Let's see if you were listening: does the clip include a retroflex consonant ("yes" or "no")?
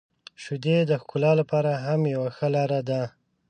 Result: no